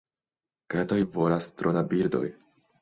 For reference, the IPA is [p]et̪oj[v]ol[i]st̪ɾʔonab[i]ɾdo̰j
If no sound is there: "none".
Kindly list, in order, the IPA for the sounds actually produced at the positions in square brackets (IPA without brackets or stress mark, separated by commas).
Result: k, v, a, i